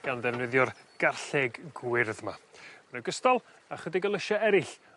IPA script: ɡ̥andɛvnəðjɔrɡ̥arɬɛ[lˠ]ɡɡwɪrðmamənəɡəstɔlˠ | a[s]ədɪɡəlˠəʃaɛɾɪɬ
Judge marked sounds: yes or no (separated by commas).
no, no